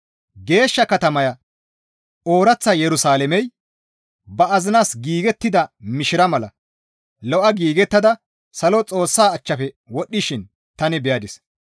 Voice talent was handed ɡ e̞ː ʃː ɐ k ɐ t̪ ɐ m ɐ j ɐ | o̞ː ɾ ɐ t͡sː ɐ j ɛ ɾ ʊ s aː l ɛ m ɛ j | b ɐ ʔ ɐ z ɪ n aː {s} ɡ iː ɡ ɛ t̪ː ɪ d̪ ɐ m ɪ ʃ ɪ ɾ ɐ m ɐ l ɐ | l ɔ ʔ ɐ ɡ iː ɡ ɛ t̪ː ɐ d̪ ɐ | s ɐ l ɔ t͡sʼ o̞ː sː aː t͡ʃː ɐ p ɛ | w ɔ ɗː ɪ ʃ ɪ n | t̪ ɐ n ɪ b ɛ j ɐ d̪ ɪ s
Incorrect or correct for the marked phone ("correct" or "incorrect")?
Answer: correct